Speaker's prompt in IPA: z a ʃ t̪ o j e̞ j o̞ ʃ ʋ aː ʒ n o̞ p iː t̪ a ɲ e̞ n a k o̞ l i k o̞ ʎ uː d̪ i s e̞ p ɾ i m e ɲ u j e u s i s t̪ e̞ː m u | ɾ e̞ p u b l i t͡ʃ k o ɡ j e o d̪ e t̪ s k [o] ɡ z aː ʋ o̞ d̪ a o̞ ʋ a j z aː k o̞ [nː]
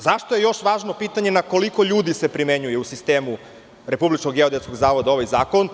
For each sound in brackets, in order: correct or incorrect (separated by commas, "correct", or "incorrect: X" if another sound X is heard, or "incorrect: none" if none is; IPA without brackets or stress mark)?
correct, incorrect: n